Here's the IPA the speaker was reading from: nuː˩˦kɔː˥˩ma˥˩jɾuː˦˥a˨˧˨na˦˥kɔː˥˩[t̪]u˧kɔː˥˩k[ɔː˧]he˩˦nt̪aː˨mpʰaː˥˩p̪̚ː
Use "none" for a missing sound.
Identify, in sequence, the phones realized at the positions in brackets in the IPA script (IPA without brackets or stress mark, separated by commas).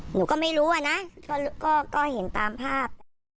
none, ɔː˥˩